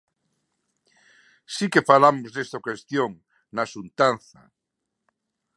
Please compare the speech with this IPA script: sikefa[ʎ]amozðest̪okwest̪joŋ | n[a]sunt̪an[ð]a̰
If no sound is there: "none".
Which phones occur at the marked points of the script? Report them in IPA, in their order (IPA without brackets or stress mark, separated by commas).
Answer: l, a, θ